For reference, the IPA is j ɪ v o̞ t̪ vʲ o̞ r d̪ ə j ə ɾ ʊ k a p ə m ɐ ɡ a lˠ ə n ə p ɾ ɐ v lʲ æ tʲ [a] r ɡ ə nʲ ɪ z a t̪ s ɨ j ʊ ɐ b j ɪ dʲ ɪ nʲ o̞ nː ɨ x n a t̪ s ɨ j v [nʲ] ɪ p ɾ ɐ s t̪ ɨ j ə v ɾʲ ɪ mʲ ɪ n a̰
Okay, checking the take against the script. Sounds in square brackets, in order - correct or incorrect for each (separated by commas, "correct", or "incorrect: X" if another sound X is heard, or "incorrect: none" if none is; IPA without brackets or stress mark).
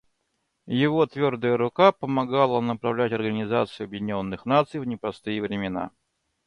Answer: incorrect: ɐ, correct